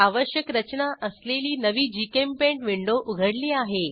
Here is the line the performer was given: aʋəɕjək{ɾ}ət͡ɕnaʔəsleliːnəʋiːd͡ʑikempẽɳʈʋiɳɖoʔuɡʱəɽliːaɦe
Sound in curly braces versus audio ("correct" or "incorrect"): correct